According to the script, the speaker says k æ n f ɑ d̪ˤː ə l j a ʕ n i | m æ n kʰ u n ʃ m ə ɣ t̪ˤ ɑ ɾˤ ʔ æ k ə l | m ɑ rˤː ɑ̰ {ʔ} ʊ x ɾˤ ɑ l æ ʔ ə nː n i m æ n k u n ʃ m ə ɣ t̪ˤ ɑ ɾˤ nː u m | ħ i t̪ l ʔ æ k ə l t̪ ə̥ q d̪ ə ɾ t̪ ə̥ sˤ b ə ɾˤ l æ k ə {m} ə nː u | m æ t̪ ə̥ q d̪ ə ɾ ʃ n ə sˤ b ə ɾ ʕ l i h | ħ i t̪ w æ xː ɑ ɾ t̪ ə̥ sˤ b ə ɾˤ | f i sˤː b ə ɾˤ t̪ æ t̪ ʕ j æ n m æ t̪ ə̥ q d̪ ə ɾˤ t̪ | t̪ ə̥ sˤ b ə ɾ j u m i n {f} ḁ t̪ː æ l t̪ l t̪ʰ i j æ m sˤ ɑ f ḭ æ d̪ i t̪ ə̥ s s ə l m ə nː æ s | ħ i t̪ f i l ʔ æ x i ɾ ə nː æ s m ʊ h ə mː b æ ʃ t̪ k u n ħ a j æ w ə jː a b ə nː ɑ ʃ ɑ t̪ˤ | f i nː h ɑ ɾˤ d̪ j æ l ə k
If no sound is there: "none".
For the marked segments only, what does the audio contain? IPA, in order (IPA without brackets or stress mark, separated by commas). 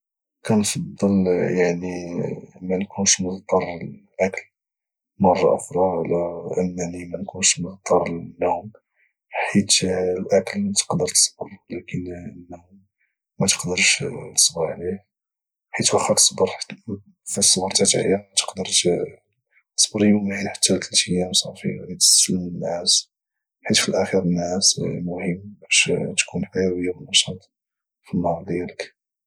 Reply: ʔ, n, ħ